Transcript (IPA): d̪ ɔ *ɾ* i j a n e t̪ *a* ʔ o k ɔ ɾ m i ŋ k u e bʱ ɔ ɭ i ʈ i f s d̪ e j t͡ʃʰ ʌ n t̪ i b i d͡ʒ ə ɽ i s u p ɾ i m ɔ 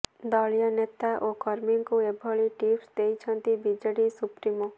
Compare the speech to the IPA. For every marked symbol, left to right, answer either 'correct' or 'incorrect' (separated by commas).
incorrect, correct